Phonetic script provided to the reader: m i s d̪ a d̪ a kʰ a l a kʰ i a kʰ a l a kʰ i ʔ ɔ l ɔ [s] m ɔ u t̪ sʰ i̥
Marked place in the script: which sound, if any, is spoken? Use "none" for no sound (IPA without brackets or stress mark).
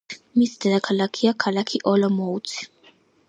none